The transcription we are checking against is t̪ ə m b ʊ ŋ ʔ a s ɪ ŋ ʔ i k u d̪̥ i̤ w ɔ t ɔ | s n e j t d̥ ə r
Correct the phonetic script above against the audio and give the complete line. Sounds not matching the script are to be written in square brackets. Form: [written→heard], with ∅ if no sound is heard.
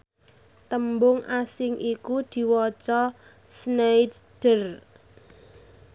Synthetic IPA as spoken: t̪ ə m b ʊ ŋ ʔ a s ɪ ŋ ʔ i k u d̪̥ i̤ w ɔ [t→t͡ʃ] ɔ | s n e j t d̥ ə r